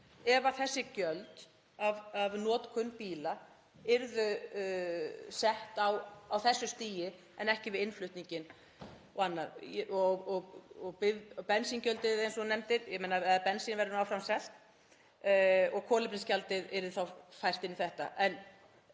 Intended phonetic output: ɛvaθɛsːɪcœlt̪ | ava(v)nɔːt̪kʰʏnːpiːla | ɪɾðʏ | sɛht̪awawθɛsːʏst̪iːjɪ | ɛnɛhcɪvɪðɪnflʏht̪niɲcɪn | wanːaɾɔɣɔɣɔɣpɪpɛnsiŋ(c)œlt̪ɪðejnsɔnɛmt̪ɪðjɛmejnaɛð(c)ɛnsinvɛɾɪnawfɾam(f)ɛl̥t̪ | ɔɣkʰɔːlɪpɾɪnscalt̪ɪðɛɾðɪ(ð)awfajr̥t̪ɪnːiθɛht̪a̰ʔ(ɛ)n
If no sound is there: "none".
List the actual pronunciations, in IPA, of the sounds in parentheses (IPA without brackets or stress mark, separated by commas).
v, c, p, s, θ, ɛ